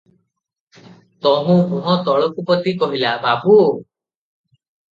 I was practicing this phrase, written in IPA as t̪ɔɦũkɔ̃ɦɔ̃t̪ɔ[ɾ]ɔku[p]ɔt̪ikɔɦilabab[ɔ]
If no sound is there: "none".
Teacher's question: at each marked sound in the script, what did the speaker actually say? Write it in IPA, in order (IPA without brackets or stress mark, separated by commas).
ɭ, p, u